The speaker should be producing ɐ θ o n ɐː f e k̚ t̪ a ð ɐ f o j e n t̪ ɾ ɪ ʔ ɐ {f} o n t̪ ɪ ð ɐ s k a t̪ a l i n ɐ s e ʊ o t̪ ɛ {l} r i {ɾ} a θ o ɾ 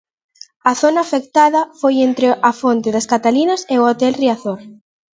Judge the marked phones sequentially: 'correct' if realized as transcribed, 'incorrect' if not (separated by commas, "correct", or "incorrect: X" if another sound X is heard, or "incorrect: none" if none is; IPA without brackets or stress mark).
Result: correct, correct, incorrect: none